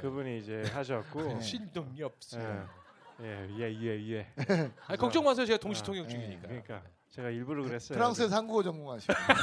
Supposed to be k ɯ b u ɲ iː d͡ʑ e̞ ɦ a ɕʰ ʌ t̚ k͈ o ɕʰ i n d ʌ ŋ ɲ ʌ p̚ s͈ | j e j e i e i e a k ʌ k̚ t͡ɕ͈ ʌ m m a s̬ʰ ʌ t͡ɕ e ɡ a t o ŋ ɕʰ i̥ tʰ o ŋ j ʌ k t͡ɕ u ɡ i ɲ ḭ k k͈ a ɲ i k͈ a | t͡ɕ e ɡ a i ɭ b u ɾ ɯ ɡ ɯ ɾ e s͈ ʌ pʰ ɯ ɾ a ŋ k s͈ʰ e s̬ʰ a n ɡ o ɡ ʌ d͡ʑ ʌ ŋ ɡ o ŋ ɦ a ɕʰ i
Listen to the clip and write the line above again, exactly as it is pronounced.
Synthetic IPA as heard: k ɯ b u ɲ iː d͡ʑ e̞ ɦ a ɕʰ ʌ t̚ k͈ o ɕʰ i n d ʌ ŋ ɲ ʌ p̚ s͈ | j e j e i e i e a k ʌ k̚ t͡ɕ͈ ʌ ŋ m a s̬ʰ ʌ t͡ɕ e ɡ a t o ŋ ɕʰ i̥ tʰ o ŋ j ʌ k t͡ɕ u ɡ i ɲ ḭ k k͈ a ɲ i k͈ a | t͡ɕ e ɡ a i ɭ b u ɾ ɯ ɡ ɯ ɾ e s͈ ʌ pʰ ɯ ɾ a ŋ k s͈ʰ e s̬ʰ a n ɡ u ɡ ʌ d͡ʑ ʌ ŋ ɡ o ŋ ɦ a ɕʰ i